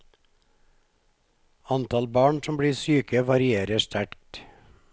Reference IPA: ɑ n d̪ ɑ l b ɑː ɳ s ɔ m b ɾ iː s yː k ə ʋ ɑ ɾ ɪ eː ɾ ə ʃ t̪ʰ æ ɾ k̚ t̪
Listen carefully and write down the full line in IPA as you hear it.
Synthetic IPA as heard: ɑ n t̪ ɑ l b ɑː ɳ s ɔ m b ɽ iː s yː k ə ʋ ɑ ɾ ɪ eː ɾ ə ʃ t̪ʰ æ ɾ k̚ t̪